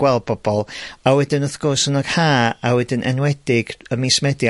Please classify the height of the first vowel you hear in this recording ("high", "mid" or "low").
mid